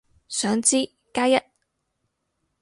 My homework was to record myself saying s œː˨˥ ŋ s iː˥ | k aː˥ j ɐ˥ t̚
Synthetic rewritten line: s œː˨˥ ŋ t͡s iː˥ | k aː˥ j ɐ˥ t̚